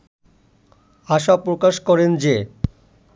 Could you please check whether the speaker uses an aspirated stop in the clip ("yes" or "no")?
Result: no